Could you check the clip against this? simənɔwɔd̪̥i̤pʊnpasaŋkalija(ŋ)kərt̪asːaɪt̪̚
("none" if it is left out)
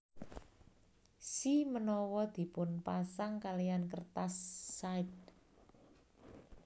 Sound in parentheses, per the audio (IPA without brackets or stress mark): n